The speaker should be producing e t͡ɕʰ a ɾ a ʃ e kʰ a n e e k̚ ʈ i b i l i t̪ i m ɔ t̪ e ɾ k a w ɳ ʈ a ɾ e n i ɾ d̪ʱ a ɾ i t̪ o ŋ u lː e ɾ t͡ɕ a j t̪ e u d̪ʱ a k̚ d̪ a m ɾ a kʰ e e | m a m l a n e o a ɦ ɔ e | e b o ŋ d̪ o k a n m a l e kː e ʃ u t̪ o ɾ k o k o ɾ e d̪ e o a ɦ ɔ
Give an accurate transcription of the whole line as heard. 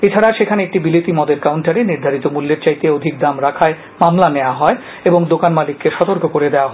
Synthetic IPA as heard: e t͡ɕʰ a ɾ a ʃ e kʰ a n e e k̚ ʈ i b i l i t̪ i m ɔ d̪ e ɾ k a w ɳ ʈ a ɾ e n i ɾ d̪ʱ a ɾ i t̪ o m u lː e ɾ t͡ɕ a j t̪ e o d̪ʱ i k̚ d̪ a m ɾ a kʰ a e | m a m l a n e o a ɦ ɔ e | e b o ŋ d̪ o k a n m a l i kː e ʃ ɔ t̪ o ɾ k o k o ɾ e d̪ e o a ɦ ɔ